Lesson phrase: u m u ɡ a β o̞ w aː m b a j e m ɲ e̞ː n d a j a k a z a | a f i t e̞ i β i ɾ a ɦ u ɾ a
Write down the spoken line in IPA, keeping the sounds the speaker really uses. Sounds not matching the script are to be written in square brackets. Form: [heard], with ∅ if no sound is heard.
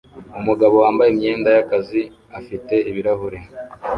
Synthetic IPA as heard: u m u ɡ a β o̞ w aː m b a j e m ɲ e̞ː n d a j a k a z [i] | a f i t e̞ i β i ɾ a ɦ u ɾ [e]